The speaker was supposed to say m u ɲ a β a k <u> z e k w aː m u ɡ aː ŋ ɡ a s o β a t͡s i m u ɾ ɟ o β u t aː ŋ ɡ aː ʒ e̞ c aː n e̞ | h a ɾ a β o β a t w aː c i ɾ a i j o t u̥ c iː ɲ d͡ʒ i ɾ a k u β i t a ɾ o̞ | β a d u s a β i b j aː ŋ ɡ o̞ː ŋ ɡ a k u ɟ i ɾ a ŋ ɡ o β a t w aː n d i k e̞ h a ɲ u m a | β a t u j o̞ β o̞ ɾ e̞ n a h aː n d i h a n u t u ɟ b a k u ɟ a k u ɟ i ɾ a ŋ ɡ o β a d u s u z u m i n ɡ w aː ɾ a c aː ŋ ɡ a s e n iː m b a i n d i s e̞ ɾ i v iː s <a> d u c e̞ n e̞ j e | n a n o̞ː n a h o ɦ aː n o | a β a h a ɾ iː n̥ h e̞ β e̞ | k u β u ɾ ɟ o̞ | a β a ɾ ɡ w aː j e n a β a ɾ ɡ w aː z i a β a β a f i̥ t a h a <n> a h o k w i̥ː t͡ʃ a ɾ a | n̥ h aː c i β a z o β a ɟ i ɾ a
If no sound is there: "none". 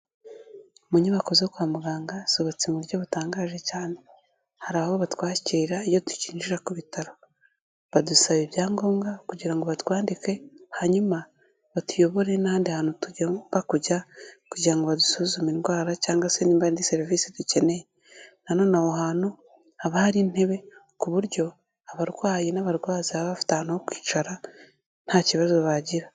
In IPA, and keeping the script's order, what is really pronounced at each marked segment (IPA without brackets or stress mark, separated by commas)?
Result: o, i, n